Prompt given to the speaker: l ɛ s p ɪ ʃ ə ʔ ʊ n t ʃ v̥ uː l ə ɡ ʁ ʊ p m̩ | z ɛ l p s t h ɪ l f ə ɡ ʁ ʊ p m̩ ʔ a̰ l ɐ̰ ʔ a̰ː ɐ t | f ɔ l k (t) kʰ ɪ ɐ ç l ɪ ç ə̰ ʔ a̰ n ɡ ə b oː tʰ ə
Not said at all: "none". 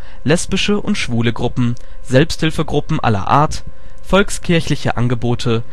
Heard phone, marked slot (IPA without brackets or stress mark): s